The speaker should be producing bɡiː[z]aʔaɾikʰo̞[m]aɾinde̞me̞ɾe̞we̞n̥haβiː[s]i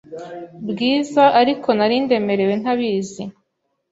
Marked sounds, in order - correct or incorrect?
correct, incorrect: n, incorrect: z

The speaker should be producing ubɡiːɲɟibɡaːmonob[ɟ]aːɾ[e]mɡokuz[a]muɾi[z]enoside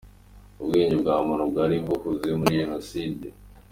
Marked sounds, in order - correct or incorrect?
incorrect: ɡ, incorrect: i, incorrect: i, incorrect: ʒ

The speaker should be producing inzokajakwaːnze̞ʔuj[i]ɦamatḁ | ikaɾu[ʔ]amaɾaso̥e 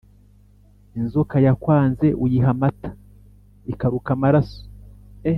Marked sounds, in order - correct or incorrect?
correct, incorrect: k

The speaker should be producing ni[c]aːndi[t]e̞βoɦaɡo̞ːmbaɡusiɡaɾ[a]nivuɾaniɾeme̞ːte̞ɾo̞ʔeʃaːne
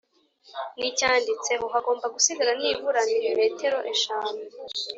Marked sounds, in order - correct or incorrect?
correct, incorrect: t͡s, correct

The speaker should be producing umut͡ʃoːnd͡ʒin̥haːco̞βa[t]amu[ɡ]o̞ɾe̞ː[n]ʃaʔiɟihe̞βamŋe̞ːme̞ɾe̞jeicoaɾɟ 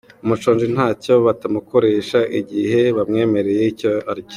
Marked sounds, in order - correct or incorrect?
correct, incorrect: k, incorrect: none

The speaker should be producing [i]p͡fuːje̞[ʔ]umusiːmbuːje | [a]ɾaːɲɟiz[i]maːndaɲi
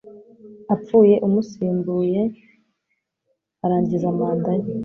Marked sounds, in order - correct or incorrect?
incorrect: a, correct, correct, incorrect: a

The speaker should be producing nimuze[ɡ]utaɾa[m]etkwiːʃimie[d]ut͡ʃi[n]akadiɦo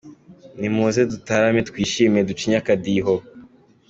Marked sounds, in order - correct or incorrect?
incorrect: d, correct, correct, incorrect: ɲ

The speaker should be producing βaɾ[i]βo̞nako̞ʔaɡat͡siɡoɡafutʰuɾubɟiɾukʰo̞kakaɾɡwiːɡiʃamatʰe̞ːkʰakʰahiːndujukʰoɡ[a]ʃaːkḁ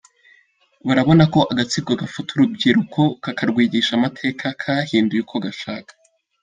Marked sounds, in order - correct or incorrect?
incorrect: a, correct

